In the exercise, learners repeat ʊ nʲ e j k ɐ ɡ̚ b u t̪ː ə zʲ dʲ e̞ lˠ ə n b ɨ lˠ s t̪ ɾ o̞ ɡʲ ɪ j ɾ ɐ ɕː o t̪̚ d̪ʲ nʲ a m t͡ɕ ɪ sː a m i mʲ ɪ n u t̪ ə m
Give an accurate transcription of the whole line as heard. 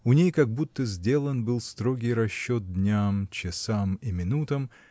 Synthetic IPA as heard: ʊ nʲ e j k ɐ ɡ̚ b u t̪ː ə zʲ dʲ e̞ lˠ ə n b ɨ lˠ s t̪ ɾ o̞ ɡʲ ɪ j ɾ ɐ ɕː o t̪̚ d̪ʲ nʲ a m t͡ɕ ɪ s a m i mʲ ɪ n u t̪ ə m